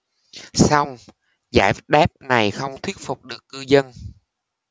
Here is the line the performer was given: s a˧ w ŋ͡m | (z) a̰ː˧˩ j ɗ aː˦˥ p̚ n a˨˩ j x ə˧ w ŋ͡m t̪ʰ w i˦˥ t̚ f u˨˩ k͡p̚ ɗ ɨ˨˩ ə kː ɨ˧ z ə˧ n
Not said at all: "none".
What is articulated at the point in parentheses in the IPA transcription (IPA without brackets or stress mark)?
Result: z